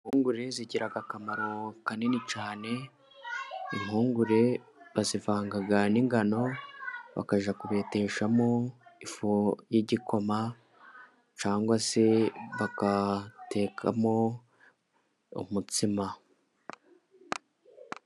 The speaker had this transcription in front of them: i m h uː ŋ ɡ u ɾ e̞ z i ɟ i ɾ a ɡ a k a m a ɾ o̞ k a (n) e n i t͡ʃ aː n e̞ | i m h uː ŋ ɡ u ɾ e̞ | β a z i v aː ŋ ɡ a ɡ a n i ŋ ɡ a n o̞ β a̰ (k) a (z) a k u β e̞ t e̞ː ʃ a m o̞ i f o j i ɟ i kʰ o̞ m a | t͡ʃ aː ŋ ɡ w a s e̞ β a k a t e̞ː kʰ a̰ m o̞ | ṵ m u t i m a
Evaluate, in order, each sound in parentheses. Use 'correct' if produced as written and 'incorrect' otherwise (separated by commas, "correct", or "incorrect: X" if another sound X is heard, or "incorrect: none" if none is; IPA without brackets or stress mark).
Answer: correct, correct, incorrect: ʒ